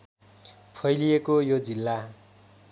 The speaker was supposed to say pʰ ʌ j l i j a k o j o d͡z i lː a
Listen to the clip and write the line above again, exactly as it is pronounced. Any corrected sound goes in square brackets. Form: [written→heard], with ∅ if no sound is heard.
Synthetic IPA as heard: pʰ ʌ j l i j [a→e] k o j o d͡z i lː a